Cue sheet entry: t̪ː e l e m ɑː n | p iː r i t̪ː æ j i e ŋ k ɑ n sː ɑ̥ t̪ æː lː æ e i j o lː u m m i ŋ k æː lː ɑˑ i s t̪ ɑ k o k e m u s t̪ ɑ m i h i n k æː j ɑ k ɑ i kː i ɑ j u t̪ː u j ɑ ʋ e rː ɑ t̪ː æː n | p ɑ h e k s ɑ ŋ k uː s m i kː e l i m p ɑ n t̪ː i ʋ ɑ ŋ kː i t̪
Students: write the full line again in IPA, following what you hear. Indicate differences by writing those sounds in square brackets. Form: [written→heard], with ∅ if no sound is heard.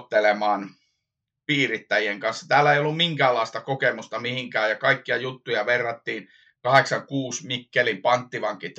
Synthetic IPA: t̪ː e l e m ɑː n | p iː r i t̪ː æ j i e ŋ k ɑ n sː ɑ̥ t̪ æː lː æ e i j o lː u m m i ŋ k æː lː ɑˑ i s t̪ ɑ k o k e m u s t̪ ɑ m i h i [n→ŋ] k æː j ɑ k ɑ i kː i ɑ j u t̪ː u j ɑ ʋ e rː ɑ t̪ː [æː→iː] n | [p→k] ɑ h e k s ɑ ŋ k uː s m i kː e l i m p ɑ n t̪ː i ʋ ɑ ŋ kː i t̪